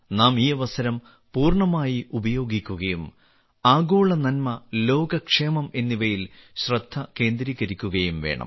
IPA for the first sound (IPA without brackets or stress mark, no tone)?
n